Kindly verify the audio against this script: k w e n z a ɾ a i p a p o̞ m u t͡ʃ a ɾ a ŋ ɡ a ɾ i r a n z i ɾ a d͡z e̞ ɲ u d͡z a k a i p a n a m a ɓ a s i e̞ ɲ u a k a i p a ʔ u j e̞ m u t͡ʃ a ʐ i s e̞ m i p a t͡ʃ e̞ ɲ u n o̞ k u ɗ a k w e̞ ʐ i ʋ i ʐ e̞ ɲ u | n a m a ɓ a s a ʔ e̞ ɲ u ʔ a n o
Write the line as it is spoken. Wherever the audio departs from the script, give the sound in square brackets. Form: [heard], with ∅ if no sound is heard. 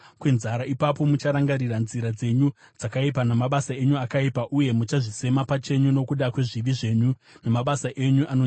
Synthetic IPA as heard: k w e n z a ɾ a i p a p o̞ m u t͡ʃ a ɾ a ŋ ɡ a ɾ i r a n z i ɾ a d͡z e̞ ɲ u d͡z a k a i p a n a m a ɓ a s [a] e̞ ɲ u a k a i p a ʔ u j e̞ m u t͡ʃ a ʐ i s e̞ m [a] p a t͡ʃ e̞ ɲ u n o̞ k u ɗ a k w e̞ ʐ i ʋ i ʐ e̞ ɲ u | n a m a ɓ a s a ʔ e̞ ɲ u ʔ a n o